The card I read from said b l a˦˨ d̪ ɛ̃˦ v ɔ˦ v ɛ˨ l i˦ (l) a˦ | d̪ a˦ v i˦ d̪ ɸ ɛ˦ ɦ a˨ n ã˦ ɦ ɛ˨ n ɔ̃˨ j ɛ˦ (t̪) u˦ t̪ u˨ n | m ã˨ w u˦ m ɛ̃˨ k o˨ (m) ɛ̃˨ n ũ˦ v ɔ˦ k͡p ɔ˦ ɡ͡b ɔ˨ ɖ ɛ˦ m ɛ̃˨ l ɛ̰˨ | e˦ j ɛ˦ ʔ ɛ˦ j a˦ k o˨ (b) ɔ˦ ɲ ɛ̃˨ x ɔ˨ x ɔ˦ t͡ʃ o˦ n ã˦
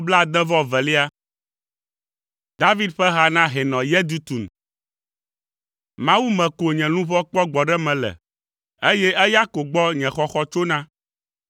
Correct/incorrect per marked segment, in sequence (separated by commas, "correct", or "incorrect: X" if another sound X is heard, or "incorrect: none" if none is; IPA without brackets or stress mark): incorrect: none, incorrect: d̪, incorrect: ɲ, incorrect: ɡ͡b